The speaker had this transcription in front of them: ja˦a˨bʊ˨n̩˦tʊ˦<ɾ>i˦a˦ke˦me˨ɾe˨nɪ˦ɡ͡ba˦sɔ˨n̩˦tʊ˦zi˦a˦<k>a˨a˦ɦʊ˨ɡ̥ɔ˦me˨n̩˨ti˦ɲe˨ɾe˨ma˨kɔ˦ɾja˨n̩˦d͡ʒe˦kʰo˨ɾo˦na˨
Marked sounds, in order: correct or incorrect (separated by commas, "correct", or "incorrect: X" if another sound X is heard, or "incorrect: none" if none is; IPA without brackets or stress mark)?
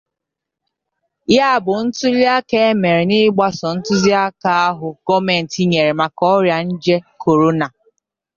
incorrect: l, correct